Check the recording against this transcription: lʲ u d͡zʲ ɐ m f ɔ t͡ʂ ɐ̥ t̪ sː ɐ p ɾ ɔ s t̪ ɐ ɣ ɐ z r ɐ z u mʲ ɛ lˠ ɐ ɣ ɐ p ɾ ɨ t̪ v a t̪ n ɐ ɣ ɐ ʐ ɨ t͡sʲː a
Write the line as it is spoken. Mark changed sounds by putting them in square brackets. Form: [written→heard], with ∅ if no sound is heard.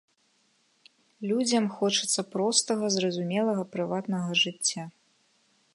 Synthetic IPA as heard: lʲ u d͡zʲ ɐ m [f→x] ɔ t͡ʂ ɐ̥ t̪ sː ɐ p ɾ ɔ s t̪ ɐ ɣ ɐ z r ɐ z u mʲ ɛ lˠ ɐ ɣ ɐ p ɾ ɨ [t̪→∅] v a t̪ n ɐ ɣ ɐ ʐ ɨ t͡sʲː a